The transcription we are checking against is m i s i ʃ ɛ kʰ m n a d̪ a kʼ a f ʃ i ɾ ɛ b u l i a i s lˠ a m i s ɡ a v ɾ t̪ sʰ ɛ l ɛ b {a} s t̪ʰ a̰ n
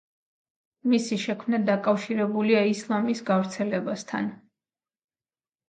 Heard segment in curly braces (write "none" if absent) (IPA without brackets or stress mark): a